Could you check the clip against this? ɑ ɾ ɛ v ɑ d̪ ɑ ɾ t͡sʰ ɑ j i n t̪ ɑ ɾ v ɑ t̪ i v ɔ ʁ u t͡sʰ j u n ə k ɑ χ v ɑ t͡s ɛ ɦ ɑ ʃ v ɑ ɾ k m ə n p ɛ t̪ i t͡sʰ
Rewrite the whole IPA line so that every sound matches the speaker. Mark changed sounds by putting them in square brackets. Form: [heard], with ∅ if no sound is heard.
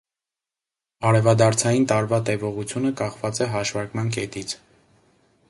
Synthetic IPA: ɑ ɾ ɛ v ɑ d̪ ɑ ɾ t͡sʰ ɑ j i n t̪ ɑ ɾ v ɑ t̪ [ɛ] v ɔ ʁ u t͡sʰ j u n ə k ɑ χ v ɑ t͡s ɛ ɦ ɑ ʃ v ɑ ɾ k m [ɑ] n [k] ɛ t̪ i t͡sʰ

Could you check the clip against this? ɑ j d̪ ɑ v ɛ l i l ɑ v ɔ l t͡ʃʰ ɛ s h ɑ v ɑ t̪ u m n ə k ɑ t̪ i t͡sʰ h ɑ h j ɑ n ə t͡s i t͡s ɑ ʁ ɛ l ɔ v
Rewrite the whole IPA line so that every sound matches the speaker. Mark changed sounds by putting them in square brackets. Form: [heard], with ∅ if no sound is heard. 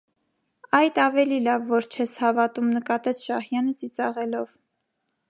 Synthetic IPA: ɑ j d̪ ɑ v ɛ l i l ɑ [vː] ɔ [ɾ] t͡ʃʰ ɛ s h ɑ v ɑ t̪ u m n ə k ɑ t̪ [ɛ] t͡sʰ [ʃ] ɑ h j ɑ n ə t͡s i t͡s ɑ ʁ ɛ l ɔ v

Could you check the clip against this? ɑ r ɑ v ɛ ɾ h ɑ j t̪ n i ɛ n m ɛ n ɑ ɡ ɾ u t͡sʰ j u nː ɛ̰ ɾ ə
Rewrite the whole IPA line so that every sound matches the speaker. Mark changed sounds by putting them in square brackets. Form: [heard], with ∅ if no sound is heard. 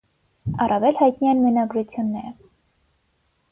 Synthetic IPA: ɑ r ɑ v ɛ [l] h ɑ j t̪ n i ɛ n m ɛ n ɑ ɡ ɾ u t͡sʰ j u nː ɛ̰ ɾ ə

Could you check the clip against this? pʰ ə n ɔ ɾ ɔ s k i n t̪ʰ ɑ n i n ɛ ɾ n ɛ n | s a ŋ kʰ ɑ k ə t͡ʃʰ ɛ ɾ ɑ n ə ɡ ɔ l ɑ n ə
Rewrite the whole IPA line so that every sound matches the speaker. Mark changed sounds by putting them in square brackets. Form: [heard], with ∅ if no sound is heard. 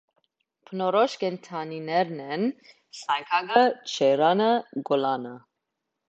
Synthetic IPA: pʰ ə n ɔ ɾ ɔ [ʃ] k [ɛ] n t̪ʰ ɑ n i n ɛ ɾ n ɛ n | s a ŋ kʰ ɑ [ɡ] ə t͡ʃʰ ɛ ɾ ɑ n ə ɡ ɔ l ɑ n ə

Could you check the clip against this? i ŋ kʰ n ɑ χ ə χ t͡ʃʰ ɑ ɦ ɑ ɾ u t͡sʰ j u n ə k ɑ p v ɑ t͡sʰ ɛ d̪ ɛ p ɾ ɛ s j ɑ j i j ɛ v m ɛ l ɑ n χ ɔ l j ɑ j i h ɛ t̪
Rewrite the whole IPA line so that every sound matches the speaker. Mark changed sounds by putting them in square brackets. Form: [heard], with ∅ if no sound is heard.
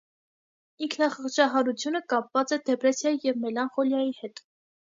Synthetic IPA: i ŋ kʰ n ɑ χ ə χ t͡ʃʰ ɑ ɦ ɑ ɾ u t͡sʰ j u n ə k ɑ p v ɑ [t͡s] ɛ d̪ ɛ p ɾ ɛ s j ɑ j i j ɛ v m ɛ l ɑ n χ ɔ l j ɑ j i h ɛ t̪

